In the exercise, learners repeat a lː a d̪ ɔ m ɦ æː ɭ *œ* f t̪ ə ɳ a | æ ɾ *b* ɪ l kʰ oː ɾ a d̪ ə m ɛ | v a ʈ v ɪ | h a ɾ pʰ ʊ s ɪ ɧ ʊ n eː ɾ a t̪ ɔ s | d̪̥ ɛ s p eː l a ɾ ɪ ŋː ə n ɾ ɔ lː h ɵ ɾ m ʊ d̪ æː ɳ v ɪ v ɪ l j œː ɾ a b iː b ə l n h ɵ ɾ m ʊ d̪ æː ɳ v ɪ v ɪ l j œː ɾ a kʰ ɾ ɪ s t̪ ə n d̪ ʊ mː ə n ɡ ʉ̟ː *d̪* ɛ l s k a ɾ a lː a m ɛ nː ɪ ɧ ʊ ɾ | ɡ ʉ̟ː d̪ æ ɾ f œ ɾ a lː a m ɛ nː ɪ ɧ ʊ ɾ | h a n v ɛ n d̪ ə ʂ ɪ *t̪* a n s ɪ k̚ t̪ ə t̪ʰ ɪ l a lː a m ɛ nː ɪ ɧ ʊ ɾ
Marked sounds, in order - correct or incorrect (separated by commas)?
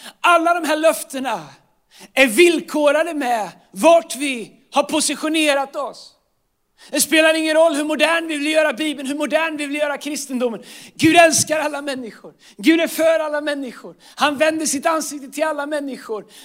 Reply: correct, incorrect, correct, correct